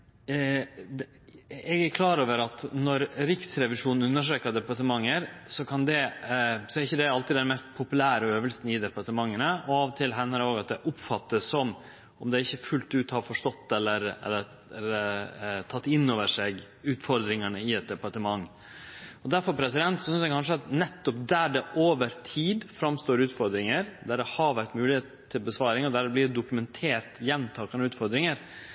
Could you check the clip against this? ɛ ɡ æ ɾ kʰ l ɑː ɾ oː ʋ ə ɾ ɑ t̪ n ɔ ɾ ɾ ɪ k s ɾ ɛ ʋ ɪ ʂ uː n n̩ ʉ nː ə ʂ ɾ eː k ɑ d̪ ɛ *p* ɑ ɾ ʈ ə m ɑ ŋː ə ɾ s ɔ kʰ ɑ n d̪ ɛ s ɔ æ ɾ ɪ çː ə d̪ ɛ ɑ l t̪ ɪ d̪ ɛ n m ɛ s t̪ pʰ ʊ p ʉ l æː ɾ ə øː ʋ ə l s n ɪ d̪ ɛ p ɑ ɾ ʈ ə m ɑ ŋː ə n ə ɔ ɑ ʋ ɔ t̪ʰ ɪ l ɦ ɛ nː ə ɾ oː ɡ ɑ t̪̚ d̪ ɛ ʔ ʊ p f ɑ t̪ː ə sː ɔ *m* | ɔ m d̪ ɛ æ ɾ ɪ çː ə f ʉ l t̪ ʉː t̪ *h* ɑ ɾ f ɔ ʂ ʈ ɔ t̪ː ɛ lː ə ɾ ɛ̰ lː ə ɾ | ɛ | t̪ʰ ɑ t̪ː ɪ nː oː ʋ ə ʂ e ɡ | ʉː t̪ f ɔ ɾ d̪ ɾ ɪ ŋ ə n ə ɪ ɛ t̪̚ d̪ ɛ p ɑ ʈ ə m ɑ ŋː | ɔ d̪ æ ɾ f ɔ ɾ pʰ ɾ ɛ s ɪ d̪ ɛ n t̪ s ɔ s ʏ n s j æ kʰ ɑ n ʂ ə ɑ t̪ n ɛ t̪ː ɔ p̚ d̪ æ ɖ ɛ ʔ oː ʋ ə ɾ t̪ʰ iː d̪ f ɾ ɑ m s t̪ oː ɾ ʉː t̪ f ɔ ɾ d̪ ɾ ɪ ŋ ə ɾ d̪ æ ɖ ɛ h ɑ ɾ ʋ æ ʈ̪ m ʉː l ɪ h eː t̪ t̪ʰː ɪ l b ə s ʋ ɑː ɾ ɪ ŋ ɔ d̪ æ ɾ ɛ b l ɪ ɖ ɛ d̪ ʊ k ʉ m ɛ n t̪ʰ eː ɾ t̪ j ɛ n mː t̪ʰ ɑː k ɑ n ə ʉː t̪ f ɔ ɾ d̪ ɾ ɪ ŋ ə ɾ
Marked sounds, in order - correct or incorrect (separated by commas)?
correct, correct, correct